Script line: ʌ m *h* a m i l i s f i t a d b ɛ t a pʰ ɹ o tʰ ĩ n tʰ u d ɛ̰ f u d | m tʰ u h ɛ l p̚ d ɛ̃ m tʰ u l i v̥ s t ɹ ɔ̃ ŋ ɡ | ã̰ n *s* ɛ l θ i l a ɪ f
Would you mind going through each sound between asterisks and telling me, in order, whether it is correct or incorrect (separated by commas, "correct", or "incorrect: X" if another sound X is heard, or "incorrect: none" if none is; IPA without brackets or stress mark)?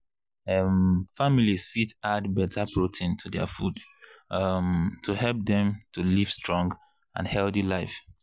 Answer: incorrect: f, incorrect: h